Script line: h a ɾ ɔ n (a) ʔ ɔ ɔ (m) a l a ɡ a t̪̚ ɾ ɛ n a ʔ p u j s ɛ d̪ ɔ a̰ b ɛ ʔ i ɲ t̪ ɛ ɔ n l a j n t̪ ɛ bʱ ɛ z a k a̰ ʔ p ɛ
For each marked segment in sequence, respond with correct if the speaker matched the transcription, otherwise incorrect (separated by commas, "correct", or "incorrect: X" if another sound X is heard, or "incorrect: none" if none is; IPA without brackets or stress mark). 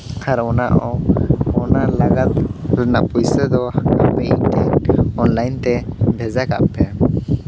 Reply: correct, incorrect: n